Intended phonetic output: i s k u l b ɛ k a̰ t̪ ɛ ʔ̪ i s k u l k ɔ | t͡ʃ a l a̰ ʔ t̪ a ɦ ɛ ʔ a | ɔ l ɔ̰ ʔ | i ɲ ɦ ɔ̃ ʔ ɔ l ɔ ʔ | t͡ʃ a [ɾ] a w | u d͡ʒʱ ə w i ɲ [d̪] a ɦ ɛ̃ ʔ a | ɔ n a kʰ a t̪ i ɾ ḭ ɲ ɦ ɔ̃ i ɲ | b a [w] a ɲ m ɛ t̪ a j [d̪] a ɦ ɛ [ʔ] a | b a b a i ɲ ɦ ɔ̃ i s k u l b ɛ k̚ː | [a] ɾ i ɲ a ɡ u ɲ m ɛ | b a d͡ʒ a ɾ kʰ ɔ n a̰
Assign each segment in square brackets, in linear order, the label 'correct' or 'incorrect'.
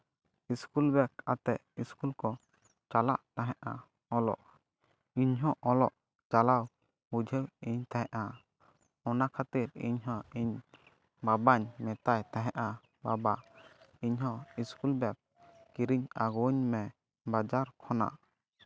incorrect: l, incorrect: t̪, incorrect: b, incorrect: t̪, correct, incorrect: i

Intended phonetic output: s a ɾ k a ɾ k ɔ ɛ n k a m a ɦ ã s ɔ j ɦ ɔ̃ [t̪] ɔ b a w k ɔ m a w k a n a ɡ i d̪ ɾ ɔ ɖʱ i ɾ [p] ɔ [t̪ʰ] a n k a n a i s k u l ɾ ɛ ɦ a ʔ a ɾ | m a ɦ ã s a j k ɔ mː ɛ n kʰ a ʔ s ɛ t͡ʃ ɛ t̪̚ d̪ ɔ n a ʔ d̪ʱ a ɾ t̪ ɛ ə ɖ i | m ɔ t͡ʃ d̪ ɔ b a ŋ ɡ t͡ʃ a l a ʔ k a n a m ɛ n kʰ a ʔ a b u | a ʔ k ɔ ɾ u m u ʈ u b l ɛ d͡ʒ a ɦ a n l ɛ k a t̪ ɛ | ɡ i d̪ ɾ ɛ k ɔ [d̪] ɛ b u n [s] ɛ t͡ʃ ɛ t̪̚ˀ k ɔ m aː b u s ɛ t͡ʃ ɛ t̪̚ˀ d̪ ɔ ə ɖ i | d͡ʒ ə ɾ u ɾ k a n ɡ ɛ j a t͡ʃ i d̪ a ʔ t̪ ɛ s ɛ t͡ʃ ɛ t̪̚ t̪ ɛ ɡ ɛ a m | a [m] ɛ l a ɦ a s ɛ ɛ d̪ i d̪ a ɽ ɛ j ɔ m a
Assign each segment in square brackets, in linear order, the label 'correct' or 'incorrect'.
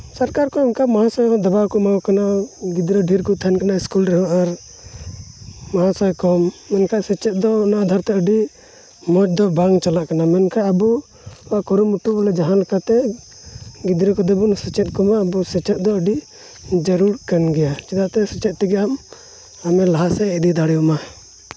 incorrect: d̪, incorrect: k, correct, correct, correct, correct

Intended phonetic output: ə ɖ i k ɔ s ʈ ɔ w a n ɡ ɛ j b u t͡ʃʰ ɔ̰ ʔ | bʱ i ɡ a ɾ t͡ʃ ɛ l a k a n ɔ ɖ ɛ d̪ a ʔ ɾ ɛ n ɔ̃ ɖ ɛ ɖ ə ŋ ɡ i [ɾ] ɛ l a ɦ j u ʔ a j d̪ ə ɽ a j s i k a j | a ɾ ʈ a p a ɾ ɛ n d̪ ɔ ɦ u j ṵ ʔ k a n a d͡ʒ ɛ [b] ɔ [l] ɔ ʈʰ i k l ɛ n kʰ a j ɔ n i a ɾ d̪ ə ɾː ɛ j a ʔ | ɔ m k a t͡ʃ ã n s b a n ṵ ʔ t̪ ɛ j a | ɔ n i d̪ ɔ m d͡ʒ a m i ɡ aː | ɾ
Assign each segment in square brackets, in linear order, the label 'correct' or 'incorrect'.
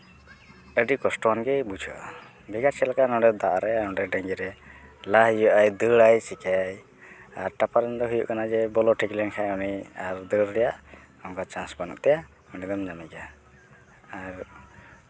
correct, correct, correct

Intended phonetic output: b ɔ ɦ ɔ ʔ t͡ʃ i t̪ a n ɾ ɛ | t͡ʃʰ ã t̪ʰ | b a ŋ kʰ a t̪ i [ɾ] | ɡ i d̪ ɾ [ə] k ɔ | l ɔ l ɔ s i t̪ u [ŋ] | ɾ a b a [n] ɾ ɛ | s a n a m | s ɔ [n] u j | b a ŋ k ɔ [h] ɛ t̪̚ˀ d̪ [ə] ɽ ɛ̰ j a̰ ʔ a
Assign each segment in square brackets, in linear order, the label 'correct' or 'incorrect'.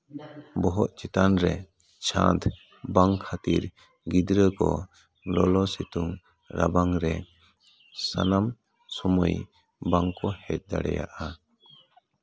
correct, correct, correct, incorrect: ŋ, incorrect: m, correct, incorrect: a

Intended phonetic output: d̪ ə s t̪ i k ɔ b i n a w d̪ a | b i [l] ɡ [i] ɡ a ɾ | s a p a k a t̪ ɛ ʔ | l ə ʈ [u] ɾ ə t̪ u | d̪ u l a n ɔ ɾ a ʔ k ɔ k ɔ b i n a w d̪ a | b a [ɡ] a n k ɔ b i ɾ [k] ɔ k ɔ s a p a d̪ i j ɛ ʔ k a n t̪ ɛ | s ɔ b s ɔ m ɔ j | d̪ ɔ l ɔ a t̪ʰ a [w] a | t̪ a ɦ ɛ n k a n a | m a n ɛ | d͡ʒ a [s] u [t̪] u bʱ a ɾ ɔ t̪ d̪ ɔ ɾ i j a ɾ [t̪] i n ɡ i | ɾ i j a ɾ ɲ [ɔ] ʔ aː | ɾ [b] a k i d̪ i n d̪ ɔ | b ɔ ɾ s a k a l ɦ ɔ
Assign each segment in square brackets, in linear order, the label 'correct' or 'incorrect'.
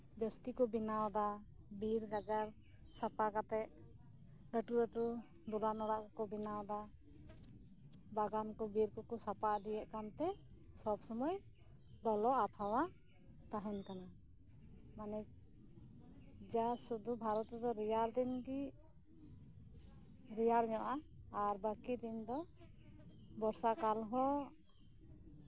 incorrect: ɾ, incorrect: a, correct, correct, correct, correct, correct, incorrect: d̪, incorrect: d̪, correct, correct

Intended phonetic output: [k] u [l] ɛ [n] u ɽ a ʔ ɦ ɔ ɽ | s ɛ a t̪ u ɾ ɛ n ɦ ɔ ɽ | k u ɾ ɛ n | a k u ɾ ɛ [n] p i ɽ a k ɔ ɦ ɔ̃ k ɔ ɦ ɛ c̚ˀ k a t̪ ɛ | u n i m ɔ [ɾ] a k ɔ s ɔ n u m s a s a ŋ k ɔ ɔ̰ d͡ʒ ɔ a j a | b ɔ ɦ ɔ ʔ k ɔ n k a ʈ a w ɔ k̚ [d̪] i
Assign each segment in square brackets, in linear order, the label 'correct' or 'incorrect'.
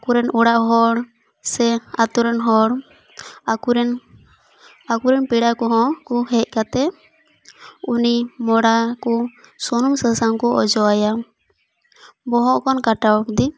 correct, incorrect: ɾ, correct, correct, incorrect: ɽ, correct

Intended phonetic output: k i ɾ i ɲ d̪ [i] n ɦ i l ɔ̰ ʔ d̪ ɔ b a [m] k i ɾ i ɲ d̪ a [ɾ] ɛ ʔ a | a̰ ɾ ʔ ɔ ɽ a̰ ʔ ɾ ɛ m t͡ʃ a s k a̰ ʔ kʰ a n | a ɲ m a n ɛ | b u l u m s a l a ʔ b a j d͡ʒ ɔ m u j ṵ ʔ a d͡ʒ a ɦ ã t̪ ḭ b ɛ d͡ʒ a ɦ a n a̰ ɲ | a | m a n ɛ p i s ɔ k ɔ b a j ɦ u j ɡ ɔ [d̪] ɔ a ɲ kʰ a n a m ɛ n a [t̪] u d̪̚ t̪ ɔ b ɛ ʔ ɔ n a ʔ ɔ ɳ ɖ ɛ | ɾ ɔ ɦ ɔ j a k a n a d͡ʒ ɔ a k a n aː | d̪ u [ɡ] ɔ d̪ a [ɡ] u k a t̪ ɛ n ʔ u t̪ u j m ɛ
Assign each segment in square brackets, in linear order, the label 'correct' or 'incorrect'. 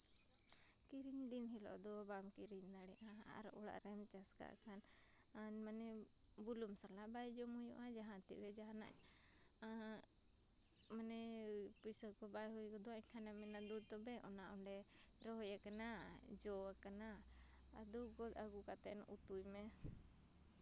correct, correct, incorrect: ɽ, correct, incorrect: d̪, correct, correct

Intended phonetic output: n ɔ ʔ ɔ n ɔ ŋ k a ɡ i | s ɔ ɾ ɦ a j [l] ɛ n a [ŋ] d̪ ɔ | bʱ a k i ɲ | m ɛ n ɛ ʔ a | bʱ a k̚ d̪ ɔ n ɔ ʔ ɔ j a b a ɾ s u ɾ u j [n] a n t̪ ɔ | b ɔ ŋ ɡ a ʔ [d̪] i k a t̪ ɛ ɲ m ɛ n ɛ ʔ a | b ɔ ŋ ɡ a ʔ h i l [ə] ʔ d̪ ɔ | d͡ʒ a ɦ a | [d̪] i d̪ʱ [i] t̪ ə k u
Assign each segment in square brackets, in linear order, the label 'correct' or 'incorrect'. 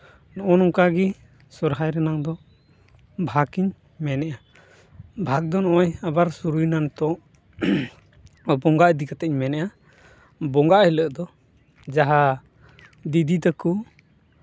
incorrect: ɾ, correct, correct, correct, correct, correct, correct

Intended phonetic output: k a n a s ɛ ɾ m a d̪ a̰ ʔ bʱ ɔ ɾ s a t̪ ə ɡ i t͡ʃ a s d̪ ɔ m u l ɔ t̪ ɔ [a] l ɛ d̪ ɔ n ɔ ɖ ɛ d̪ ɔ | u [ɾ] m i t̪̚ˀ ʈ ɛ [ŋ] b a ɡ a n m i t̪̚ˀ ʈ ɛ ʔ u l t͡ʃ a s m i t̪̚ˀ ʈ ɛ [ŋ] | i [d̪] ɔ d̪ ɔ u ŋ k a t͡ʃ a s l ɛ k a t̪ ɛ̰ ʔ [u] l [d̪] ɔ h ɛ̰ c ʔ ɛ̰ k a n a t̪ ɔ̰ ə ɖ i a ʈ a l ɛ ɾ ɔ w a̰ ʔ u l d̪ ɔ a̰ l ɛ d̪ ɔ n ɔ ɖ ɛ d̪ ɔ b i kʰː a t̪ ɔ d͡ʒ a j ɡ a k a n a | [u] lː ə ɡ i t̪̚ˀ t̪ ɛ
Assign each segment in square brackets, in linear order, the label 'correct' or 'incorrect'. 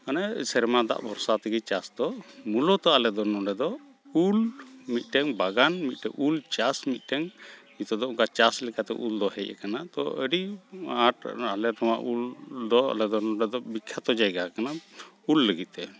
correct, incorrect: l, correct, correct, incorrect: t̪, correct, correct, correct

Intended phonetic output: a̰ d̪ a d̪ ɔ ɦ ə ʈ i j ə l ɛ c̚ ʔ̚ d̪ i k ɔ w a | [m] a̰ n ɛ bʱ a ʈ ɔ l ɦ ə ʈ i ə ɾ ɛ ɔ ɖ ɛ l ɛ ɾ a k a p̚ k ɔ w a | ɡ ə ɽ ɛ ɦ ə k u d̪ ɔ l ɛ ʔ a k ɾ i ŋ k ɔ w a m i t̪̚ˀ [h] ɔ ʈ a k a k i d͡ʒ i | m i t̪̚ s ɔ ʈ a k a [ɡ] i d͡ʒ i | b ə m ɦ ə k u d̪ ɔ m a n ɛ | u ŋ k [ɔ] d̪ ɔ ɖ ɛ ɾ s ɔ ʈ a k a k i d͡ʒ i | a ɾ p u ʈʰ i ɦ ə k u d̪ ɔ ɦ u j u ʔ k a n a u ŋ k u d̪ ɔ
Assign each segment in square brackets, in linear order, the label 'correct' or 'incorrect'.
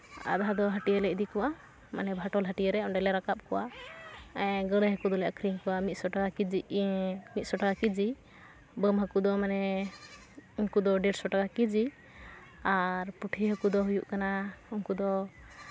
correct, incorrect: s, incorrect: k, incorrect: u

